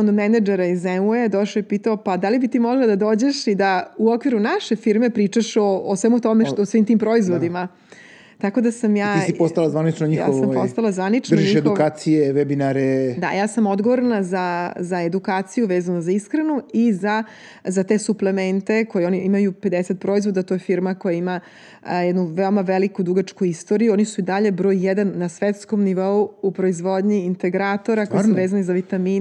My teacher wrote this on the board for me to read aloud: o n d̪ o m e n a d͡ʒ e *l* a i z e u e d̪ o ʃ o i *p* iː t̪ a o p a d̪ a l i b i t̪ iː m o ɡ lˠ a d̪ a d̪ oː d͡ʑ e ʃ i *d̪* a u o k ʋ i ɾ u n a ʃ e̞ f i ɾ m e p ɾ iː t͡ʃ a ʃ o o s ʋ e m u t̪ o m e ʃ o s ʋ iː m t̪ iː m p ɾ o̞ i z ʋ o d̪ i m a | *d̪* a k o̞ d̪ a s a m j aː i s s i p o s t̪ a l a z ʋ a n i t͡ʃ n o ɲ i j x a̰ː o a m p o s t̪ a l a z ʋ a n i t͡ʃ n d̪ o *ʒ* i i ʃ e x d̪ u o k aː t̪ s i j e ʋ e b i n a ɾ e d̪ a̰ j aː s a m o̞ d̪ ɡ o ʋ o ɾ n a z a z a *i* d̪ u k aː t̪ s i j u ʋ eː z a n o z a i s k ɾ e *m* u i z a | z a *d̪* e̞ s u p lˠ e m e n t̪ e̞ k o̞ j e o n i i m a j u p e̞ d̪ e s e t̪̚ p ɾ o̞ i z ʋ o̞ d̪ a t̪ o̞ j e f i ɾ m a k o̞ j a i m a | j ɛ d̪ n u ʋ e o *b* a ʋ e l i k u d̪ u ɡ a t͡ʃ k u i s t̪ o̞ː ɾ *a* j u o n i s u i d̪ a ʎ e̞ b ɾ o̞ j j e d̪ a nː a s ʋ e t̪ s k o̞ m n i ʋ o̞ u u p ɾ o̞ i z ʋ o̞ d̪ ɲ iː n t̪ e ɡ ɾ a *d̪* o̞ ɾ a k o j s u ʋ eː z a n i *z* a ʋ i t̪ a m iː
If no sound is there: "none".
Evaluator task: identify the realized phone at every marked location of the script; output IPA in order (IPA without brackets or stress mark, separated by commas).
ɾ, p, d̪, t̪, ʒ, e, n, t̪, m, i, t̪, z